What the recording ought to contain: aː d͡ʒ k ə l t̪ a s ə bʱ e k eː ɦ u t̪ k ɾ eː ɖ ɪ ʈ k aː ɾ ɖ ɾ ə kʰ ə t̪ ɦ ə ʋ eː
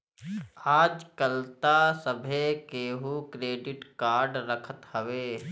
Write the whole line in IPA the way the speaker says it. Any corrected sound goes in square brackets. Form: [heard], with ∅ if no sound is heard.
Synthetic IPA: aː d͡ʒ k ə l t̪ a s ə bʱ e k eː ɦ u [∅] k ɾ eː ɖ ɪ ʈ k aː ɾ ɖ ɾ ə kʰ ə t̪ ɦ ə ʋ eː

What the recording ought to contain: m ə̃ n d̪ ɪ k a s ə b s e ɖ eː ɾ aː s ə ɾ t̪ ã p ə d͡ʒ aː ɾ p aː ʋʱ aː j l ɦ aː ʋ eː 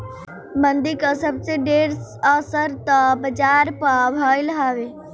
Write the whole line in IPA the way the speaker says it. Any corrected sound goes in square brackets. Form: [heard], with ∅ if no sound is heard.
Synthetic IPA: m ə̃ n d̪ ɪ k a s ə b s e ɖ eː ɾ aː s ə ɾ t̪ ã [b] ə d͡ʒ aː ɾ p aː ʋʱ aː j l ɦ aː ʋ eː

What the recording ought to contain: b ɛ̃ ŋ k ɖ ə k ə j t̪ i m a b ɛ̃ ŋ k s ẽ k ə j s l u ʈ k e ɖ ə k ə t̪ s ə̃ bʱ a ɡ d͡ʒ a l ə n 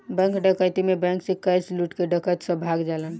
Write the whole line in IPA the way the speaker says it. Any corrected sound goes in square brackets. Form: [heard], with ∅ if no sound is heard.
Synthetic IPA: b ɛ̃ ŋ k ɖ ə k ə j t̪ i m [e] b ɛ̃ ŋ k s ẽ k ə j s l u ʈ k e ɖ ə k ə t̪ s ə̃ bʱ a ɡ d͡ʒ a l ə n

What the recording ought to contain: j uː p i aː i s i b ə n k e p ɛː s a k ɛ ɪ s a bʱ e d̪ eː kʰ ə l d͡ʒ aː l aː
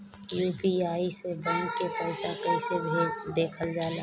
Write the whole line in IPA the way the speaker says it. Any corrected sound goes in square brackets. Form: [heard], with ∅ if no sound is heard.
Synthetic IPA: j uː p i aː i s [e] b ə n k e p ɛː s a k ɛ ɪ s [e] bʱ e d̪ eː kʰ ə l d͡ʒ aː l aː

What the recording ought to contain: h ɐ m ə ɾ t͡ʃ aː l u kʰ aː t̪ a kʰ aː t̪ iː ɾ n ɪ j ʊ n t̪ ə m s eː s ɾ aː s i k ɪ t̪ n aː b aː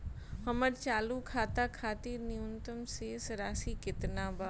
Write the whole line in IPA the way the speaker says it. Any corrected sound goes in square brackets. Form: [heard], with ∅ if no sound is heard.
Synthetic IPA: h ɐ m ə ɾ t͡ʃ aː l u kʰ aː t̪ a kʰ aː t̪ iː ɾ n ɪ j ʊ n t̪ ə m s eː s ɾ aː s i k ɪ t̪ n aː b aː

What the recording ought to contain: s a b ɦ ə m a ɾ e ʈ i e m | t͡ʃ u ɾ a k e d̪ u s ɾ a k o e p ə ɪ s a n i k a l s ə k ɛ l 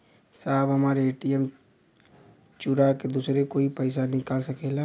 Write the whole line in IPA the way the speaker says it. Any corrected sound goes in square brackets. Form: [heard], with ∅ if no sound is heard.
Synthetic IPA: s a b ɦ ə m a ɾ e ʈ i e m | t͡ʃ u ɾ a k e d̪ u s ɾ [e] k o [i] p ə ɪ s a n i k a l s ə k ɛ l

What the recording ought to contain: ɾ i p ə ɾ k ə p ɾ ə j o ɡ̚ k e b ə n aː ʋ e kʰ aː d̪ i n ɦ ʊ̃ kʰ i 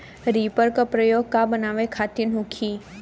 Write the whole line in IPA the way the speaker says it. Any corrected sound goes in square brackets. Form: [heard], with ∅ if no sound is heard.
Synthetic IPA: ɾ i p ə ɾ k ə p ɾ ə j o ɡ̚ k [a] b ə n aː ʋ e kʰ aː [t̪] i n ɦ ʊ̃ kʰ i

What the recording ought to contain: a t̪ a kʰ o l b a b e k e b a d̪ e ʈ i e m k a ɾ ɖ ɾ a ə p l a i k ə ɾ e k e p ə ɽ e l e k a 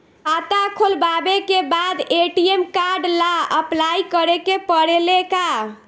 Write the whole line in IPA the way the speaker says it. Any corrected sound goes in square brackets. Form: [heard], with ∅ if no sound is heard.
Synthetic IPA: a t̪ a kʰ o l b a b e k e b a d̪ e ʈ i e m k a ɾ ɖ [l] a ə p l a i k ə ɾ e k e p ə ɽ e l e k a

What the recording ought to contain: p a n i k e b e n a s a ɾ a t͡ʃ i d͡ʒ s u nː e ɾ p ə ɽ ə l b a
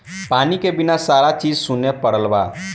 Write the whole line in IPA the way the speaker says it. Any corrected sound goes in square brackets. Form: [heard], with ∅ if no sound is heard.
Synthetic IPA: p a n i k e b [i] n a s a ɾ a t͡ʃ i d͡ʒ s u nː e [∅] p ə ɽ ə l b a

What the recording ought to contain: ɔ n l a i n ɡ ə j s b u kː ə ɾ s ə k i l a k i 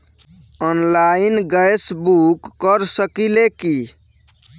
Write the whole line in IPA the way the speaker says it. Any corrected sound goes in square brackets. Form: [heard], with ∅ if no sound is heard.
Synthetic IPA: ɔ n l a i n ɡ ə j s b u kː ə ɾ s ə k i l [e] k i

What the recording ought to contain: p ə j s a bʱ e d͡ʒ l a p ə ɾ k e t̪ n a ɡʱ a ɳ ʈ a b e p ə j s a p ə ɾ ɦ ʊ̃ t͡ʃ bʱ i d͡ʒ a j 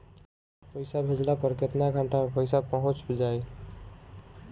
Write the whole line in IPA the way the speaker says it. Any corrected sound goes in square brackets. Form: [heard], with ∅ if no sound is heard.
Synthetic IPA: p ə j s a bʱ e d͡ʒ l a p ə ɾ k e t̪ n a ɡʱ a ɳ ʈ a [m] e p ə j s a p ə [∅] ɦ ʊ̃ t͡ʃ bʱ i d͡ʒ a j

